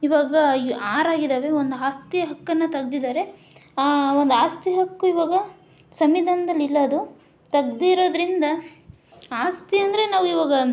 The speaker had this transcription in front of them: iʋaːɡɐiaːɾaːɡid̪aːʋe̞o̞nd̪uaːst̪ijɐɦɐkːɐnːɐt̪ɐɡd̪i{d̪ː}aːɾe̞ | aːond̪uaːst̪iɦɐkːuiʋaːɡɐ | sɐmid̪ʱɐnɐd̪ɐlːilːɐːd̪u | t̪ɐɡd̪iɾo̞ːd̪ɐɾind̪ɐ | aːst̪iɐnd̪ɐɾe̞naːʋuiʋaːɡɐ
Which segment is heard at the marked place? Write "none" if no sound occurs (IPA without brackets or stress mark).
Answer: d̪